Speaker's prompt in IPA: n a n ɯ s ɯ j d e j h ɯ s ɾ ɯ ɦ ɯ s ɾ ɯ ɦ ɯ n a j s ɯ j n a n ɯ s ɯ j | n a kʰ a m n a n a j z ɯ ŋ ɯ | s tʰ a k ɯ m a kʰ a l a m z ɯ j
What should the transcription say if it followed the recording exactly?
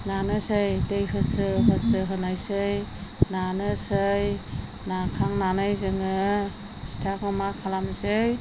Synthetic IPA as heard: n a n ɯ s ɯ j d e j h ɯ s ɾ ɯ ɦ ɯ s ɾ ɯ ɦ ɯ n a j s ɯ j n a n ɯ s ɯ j | n a kʰ a ŋ n a n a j z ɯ ŋ ɯ | s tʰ a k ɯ m a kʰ a l a m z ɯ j